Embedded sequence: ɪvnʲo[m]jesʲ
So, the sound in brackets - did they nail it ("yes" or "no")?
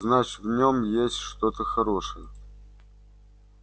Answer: yes